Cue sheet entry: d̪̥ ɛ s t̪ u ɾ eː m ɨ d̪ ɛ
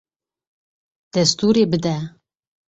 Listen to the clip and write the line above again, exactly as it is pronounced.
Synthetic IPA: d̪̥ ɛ s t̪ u ɾ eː b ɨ d̪ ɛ